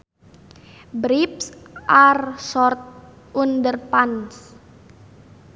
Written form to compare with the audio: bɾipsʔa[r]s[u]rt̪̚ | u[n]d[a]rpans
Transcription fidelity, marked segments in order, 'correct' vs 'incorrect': correct, incorrect, correct, incorrect

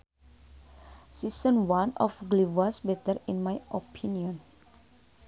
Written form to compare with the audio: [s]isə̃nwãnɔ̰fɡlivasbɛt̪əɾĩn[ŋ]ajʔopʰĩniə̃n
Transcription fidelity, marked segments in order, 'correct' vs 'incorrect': correct, incorrect

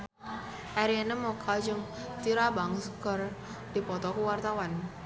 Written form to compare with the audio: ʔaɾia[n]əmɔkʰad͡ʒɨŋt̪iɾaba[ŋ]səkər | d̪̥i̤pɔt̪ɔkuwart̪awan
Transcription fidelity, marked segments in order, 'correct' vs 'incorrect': correct, correct

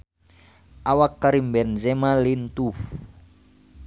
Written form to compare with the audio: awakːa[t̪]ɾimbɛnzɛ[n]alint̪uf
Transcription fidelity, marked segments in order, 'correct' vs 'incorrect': incorrect, incorrect

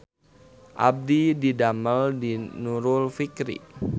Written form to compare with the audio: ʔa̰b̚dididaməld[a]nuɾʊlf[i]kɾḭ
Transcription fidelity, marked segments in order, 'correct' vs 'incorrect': incorrect, correct

